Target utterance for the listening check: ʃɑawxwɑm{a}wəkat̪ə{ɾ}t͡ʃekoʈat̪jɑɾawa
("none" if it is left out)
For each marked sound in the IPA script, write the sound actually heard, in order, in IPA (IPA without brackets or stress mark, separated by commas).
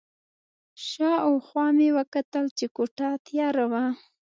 e, l